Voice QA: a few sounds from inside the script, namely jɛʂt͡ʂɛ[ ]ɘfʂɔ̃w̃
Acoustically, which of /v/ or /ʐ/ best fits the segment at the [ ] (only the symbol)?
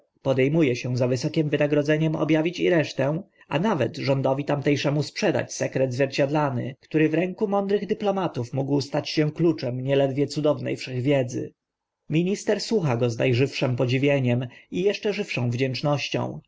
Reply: ʐ